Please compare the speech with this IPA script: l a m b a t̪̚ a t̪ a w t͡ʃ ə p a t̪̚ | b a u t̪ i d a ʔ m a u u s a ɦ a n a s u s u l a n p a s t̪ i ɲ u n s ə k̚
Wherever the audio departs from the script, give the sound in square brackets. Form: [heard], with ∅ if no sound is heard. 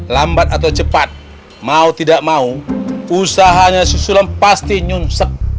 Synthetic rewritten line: l a m b a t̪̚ a t̪ a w t͡ʃ ə p a t̪̚ | [m] a u t̪ i d a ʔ m a u u s a ɦ a [ɲ] a s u s u l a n p a s t̪ i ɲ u n s ə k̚